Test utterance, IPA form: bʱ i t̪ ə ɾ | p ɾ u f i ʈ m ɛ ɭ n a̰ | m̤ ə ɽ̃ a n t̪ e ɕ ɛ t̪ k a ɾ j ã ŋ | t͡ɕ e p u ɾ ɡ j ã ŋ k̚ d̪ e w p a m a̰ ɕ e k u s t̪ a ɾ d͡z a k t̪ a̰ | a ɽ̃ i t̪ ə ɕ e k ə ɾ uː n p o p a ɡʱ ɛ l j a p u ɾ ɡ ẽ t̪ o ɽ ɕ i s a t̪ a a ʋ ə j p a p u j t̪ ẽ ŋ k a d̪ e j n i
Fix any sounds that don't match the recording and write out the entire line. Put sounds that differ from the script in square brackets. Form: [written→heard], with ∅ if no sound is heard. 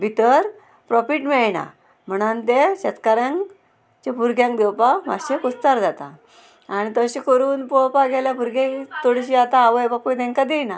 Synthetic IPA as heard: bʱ i t̪ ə ɾ | p ɾ [u→ɔ] f i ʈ m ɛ ɭ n a̰ | m̤ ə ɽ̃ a n t̪ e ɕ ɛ t̪ k a ɾ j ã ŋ | t͡ɕ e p u ɾ ɡ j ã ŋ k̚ d̪ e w p a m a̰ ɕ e k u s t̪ a ɾ d͡z a [k→∅] t̪ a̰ | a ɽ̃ i t̪ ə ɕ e k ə ɾ uː n p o p a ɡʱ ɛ l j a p u ɾ ɡ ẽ t̪ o ɽ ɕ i [s→∅] a t̪ a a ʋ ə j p a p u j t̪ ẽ ŋ k a d̪ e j n [i→a]

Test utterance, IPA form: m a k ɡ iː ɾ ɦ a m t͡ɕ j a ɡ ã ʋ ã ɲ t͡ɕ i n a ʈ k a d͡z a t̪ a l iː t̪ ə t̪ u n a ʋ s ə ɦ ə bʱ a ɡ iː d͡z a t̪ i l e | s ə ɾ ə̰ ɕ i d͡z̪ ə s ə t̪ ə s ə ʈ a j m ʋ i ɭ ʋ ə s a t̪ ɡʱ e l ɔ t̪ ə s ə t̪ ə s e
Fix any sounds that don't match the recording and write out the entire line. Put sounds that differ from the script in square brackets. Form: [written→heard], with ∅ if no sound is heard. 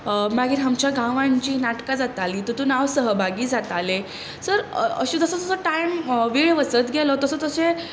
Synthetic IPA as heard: m a [k→∅] ɡ iː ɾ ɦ a m t͡ɕ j a ɡ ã ʋ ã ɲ t͡ɕ [i→iː] n a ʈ k a d͡z a t̪ a l iː t̪ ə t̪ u n a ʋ s ə ɦ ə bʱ a ɡ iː d͡z a t̪ [i→a] l e | s ə ɾ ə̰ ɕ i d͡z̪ ə s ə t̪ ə s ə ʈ a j m ʋ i ɭ ʋ ə s [a→ə] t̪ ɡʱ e l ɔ t̪ ə s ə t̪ ə s e

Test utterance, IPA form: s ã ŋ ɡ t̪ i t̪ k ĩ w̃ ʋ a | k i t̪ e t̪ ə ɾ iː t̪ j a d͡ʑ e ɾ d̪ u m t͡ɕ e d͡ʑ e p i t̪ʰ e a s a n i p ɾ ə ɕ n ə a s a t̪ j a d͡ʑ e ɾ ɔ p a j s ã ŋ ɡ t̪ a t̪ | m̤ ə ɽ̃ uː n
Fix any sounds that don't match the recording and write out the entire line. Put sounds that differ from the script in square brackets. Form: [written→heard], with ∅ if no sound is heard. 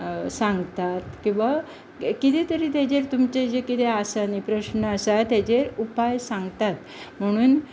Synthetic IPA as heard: s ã ŋ ɡ t̪ [i→a] t̪ k ĩ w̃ ʋ a | k i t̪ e t̪ ə ɾ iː t̪ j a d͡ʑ e ɾ [d̪→t̪] u m t͡ɕ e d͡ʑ e [p→k] i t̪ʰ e a s a n i p ɾ ə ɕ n ə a s a t̪ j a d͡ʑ e ɾ [ɔ→u] p a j s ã ŋ ɡ t̪ a t̪ | m̤ ə ɽ̃ uː n

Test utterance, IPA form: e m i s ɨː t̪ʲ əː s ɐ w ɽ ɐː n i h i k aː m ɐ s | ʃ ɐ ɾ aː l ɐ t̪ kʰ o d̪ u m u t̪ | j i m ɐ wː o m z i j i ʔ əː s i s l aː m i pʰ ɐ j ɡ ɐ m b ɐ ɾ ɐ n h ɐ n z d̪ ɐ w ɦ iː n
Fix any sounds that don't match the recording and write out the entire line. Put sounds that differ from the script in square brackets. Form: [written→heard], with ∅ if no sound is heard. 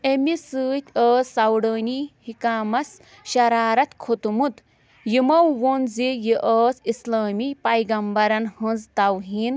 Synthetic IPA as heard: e m i s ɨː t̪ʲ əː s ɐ w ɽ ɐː n i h i k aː m ɐ s | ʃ ɐ ɾ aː [l→ɾ] ɐ t̪ kʰ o [d̪→t̪] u m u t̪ | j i m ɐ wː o [m→n] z i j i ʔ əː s i s l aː m i [pʰ→p] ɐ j ɡ ɐ m b ɐ ɾ ɐ n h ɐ n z [d̪→t̪] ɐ w ɦ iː n

